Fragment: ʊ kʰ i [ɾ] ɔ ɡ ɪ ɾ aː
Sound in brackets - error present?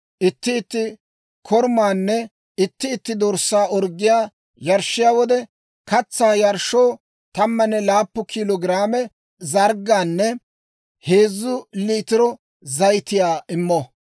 yes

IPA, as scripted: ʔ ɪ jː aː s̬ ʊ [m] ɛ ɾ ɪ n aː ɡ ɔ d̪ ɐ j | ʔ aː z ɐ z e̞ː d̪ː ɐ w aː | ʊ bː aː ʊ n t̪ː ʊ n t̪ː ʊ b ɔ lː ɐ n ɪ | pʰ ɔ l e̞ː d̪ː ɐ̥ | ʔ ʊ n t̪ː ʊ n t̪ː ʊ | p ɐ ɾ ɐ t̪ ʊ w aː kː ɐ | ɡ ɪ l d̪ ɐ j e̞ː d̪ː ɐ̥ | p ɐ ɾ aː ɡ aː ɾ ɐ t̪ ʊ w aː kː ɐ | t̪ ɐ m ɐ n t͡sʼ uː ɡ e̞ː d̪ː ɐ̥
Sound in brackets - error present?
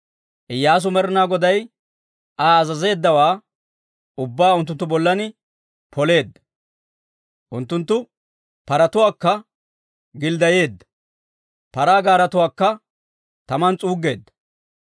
no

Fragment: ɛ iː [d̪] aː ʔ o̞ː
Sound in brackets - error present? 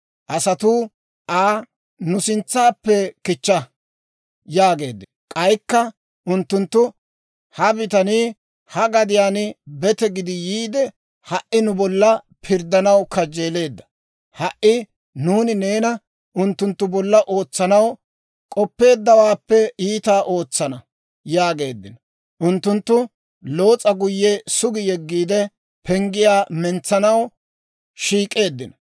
yes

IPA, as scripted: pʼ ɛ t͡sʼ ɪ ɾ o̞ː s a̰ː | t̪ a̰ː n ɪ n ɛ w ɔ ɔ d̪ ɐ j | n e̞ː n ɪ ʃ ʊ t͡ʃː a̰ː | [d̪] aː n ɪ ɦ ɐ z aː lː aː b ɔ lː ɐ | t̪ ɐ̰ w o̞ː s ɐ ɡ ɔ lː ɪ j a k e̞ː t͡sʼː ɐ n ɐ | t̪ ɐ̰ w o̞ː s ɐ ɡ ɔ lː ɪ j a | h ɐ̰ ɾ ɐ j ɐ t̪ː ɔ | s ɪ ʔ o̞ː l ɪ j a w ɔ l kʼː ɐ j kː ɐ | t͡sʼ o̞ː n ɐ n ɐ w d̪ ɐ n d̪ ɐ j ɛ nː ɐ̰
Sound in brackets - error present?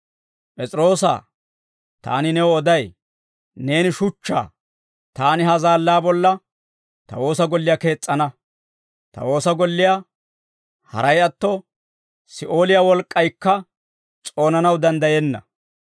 yes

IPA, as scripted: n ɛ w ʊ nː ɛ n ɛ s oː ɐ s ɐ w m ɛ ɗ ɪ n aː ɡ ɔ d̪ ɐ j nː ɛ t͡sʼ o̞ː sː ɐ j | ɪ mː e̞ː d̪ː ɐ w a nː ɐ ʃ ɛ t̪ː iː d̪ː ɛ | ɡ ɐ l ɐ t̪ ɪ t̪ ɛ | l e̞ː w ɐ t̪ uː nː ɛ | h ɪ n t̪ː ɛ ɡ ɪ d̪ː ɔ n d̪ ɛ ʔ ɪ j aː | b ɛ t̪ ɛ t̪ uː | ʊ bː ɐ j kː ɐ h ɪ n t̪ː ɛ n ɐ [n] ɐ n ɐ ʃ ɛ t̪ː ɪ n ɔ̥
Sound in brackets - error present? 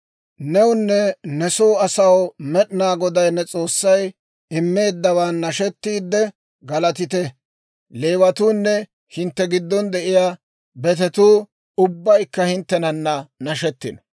yes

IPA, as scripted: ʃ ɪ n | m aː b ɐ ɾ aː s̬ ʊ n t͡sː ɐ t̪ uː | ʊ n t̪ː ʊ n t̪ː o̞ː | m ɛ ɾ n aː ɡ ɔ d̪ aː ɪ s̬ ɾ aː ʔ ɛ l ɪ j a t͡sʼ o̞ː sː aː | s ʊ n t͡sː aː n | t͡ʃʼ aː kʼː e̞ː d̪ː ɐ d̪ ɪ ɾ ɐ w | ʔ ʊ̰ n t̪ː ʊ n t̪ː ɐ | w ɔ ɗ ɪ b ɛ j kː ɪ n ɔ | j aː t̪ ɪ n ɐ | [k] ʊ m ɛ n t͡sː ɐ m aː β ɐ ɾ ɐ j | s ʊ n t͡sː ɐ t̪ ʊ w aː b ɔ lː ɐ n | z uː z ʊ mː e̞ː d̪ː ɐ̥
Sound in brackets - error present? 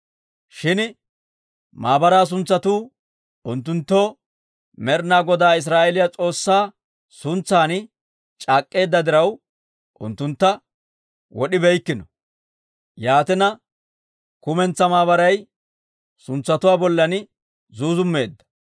no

